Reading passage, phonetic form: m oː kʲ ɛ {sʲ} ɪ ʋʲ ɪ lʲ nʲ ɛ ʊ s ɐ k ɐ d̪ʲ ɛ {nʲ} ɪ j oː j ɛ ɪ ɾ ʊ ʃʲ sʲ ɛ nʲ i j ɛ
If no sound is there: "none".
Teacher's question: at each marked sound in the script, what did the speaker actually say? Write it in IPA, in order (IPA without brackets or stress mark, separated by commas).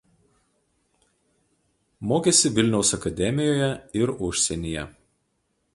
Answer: sʲ, mʲ